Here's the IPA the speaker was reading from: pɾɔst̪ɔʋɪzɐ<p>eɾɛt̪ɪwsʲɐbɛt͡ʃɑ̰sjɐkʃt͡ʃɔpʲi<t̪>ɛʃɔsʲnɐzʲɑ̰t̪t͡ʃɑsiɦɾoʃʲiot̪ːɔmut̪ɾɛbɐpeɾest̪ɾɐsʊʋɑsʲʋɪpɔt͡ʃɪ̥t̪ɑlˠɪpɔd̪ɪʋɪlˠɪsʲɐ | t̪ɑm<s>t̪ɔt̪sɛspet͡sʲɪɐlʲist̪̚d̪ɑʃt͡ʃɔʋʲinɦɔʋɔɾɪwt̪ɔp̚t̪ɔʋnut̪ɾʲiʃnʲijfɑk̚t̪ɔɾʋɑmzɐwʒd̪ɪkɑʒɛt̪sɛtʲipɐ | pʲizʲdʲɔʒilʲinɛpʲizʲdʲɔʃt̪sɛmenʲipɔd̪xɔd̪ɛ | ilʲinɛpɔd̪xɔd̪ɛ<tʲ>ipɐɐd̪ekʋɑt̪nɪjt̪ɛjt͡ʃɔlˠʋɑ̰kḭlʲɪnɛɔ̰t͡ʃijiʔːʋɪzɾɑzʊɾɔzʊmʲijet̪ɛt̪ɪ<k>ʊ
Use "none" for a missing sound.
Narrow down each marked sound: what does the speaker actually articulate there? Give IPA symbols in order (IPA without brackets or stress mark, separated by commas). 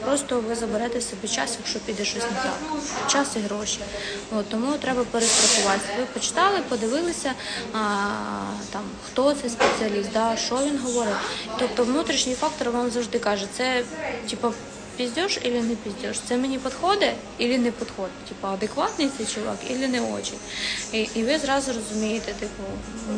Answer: b, d̪, x, tʲ, p